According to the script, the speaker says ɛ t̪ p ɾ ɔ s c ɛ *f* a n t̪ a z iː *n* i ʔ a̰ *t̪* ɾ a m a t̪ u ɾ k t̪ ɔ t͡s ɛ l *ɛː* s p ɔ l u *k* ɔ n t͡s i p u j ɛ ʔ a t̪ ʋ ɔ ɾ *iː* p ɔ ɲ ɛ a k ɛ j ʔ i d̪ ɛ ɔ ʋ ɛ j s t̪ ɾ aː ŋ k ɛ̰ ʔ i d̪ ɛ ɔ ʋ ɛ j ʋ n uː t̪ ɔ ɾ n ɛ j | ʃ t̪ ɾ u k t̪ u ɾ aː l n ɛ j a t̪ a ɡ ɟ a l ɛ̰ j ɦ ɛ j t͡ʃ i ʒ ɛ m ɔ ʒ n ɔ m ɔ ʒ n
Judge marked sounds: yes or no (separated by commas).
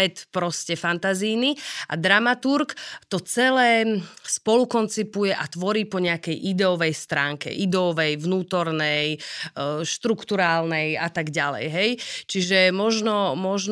yes, yes, no, yes, yes, yes